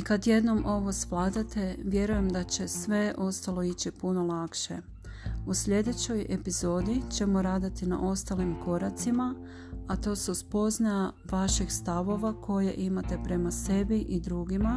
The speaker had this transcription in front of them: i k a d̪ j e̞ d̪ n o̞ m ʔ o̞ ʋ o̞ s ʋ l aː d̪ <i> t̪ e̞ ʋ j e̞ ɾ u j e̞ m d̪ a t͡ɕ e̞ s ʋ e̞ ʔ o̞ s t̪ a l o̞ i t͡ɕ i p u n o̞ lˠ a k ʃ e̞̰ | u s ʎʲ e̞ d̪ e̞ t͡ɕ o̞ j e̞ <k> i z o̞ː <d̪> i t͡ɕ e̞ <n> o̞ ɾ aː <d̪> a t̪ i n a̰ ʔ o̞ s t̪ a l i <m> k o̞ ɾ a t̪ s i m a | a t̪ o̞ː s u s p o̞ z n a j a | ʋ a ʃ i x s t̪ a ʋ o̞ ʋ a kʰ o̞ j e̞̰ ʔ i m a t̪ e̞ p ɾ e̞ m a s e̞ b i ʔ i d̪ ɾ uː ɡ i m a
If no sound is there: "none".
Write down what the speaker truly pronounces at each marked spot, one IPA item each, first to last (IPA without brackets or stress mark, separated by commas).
a, p, d̪, m, d̪, m